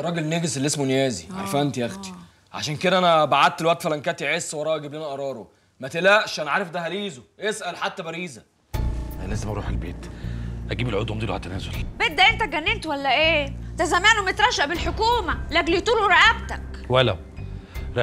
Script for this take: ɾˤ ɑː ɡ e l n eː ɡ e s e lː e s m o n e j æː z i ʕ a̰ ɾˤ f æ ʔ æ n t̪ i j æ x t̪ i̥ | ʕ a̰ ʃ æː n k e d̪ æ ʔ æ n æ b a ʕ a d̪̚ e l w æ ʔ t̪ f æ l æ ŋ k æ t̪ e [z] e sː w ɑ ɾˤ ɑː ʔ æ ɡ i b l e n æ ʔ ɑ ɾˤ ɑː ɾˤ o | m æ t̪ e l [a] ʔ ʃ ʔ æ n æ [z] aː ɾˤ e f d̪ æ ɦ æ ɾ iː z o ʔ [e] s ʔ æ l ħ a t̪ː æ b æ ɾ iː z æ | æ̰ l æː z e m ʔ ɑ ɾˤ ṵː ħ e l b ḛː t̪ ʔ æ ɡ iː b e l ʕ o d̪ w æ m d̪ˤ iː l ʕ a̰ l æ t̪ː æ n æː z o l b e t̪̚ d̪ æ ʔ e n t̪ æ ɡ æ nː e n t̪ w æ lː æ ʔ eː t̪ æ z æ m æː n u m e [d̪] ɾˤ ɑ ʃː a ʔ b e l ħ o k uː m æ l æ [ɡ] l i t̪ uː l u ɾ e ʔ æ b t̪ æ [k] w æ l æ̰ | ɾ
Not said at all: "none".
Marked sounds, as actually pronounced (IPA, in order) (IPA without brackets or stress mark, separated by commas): ʕ, æ, ʕ, e, t̪, ɡ, k